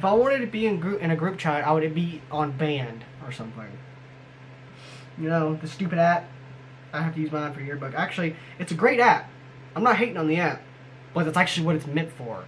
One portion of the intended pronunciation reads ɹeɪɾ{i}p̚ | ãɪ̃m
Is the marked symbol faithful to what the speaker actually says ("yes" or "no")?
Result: no